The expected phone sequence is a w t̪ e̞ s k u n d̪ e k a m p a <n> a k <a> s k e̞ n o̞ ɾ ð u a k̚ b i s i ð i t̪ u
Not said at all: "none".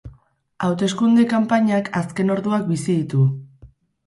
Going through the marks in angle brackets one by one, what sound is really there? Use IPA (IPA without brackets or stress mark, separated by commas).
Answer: ɲ, a